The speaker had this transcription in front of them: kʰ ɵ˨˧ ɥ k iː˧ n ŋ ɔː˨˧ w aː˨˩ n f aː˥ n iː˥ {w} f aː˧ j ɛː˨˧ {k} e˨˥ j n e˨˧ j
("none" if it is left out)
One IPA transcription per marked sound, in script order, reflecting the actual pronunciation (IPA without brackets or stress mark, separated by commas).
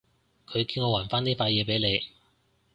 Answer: none, p